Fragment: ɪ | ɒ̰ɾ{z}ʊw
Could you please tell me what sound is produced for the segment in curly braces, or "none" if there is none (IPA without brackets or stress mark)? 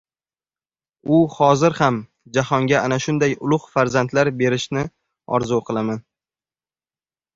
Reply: z